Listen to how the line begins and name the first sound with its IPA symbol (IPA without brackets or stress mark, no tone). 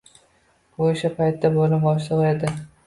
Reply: o